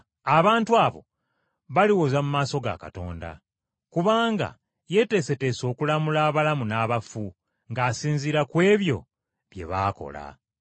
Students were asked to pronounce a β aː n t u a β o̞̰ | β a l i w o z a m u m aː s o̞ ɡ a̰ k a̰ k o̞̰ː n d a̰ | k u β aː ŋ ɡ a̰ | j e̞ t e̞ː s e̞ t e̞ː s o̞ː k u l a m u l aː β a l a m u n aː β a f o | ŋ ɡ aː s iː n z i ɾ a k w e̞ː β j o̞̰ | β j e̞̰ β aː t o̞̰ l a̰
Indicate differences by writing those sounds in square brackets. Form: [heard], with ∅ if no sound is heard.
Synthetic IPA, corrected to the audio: a β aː n t u a β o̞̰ | β a l i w o z a m u m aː s o̞ ɡ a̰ k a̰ [t] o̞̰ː n d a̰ | k u β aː ŋ ɡ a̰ | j e̞ t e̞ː s e̞ t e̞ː s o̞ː k u l a m u l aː β a l a m u n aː β a f [u] | ŋ ɡ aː s iː n z i ɾ a k w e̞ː β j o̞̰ | β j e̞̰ β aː [k] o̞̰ l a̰

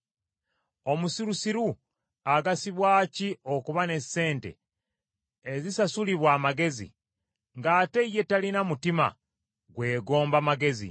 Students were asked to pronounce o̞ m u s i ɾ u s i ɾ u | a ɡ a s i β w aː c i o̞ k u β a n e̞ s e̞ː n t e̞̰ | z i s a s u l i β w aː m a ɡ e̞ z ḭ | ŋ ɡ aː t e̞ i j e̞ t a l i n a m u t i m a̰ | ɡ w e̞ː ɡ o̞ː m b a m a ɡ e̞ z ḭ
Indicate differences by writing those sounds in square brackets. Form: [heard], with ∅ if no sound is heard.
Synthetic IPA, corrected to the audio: o̞ m u s i ɾ u s i ɾ u | a ɡ a s i β w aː c i o̞ k u β a n e̞ s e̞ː n t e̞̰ | z i s a s u l i β w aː m a ɡ e̞ z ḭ | ŋ ɡ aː t e̞ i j e̞ t a l i n a m u t i m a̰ | ɡ w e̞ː ɡ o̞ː m b a m a ɡ e̞ z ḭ

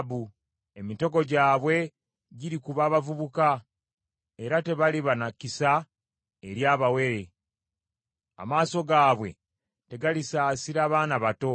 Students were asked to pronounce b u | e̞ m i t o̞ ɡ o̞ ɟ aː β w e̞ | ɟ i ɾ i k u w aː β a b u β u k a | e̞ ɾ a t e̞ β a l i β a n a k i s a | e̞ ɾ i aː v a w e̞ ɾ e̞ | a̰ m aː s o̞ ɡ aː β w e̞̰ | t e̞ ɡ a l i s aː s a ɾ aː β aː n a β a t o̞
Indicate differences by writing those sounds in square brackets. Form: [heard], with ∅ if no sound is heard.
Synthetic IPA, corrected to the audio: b u | e̞ m i t o̞ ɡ o̞ ɟ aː β w e̞ | ɟ i ɾ i k u [β] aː β a [v] u β u k a | e̞ ɾ a t e̞ β a l i β a n a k i s a | e̞ ɾ [j] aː [β] a w e̞ ɾ e̞ | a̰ m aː s o̞ ɡ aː β w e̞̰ | t e̞ ɡ a l i s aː s [i] ɾ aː β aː n a β a t o̞

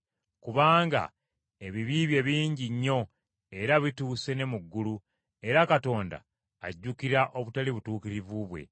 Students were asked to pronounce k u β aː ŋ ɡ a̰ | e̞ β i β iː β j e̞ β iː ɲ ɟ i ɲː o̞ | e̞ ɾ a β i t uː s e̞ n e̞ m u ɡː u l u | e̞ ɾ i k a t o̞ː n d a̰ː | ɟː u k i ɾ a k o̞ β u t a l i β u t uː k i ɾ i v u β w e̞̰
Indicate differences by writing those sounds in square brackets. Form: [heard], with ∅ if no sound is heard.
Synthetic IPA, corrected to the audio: k u β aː ŋ ɡ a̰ | e̞ β i β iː β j e̞ β iː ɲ ɟ i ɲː o̞ | e̞ ɾ a β i t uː s e̞ n e̞ m u ɡː u l u | e̞ ɾ [a] k a t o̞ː n d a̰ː | ɟː u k i ɾ a [ʔ] o̞ β u t a l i β u t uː k i ɾ i v u β w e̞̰

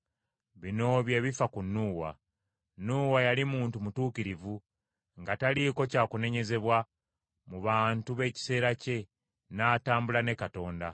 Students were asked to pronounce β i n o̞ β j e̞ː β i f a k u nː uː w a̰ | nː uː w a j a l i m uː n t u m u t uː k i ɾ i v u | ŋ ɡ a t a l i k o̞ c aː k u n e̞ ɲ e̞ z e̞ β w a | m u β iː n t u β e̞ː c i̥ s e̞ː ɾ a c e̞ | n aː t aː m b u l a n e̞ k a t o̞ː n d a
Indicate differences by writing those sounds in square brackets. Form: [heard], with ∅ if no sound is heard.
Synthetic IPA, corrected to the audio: β i n o̞ β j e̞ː β i f a k u nː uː w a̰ | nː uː w a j a l i m uː n t u m u t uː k i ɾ i v u | ŋ ɡ a t a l i k o̞ c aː k u n e̞ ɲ e̞ z e̞ β w a | m u β [aː] n t u β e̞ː c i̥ s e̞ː ɾ a c e̞ | n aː t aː m b u l a n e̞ k a t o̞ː n d a

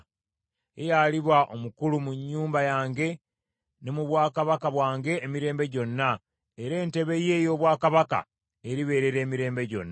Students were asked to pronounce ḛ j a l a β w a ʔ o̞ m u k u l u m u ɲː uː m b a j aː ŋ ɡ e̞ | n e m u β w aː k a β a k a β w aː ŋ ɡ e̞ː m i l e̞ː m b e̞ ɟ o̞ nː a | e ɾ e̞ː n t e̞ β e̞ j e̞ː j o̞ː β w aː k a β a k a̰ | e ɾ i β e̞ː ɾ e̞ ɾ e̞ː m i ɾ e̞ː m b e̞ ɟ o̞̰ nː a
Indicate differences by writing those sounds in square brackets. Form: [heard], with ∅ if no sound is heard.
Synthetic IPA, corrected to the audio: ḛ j a l [i] β w a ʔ o̞ m u k u l u m u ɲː uː m b a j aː ŋ ɡ e̞ | n e m u β w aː k a β a k a β w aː ŋ ɡ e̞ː m i [ɾ] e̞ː m b e̞ ɟ o̞ nː a | e ɾ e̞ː n t e̞ β e̞ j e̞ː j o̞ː β w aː k a β a k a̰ | e ɾ i β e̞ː ɾ e̞ ɾ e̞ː m i ɾ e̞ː m b e̞ ɟ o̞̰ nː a

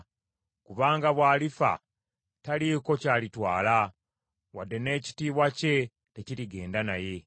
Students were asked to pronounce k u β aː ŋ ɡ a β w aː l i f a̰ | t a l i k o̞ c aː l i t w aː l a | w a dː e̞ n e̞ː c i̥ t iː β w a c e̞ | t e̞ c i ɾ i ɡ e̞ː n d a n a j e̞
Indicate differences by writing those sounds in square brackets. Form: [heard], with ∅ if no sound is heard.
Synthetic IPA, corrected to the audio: k u β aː ŋ ɡ a β w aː l i f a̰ | t a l i k o̞ c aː l i t w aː l a | w a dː e̞ n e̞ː c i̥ t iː β w a c e̞ | t e̞ c i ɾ i ɡ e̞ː n d a n a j e̞

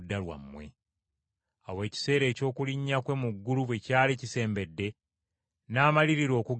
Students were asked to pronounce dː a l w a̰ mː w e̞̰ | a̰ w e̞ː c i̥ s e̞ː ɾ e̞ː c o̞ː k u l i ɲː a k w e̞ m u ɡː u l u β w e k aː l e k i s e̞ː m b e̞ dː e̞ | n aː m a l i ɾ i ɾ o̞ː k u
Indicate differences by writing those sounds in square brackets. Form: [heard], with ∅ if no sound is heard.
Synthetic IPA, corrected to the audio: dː a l w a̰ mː w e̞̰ | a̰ w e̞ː c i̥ s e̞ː ɾ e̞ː c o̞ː k u l i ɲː a k w e̞ m u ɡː u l u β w e [c] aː l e [c] i s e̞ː m b e̞ dː e̞ | n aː m a l i ɾ i ɾ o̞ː k u

